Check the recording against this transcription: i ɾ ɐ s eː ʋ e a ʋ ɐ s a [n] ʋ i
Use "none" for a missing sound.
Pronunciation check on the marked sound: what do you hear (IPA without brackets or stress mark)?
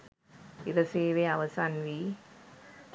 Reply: n